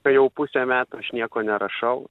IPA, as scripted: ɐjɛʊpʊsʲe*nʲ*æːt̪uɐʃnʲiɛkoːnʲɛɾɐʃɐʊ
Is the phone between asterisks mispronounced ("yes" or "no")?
yes